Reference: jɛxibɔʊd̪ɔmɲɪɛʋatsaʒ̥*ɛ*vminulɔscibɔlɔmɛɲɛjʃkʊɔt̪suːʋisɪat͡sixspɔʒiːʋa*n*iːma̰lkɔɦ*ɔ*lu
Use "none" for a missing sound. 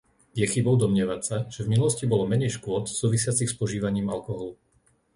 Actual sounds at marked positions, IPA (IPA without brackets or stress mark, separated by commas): ɛ, ɲ, ɔ